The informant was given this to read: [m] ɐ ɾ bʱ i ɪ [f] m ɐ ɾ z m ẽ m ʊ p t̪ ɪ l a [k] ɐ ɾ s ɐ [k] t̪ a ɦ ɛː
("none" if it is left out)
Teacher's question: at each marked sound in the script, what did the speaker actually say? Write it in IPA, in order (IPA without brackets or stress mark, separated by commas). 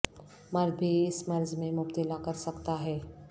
m, s, k, k